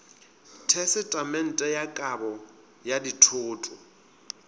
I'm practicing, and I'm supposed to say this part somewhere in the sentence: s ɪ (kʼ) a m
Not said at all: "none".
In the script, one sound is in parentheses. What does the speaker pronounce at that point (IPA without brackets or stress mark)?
tʼ